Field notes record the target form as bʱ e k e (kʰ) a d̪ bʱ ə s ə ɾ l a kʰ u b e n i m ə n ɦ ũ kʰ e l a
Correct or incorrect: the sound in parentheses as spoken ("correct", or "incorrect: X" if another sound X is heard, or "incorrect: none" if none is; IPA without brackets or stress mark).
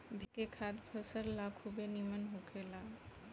correct